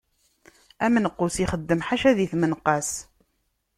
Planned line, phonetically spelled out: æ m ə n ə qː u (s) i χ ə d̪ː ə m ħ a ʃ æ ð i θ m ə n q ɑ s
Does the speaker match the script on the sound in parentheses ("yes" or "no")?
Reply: yes